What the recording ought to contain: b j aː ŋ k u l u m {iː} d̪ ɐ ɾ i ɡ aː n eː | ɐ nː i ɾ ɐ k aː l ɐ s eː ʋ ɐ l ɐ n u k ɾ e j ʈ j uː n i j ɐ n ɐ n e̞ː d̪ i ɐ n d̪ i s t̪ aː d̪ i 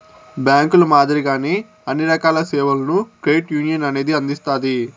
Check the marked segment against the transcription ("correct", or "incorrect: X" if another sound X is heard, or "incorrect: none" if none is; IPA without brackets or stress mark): incorrect: aː